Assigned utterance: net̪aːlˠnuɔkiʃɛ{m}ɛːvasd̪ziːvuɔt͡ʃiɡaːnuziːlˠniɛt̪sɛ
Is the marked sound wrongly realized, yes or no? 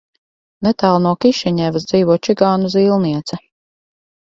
yes